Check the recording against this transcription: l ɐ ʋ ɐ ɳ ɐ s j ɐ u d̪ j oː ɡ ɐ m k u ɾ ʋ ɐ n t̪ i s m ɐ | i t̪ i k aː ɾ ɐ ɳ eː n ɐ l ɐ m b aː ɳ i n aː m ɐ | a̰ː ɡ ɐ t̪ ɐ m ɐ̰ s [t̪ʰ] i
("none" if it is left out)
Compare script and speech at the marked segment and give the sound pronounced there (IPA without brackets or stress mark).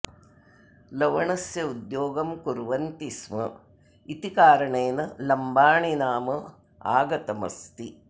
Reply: t̪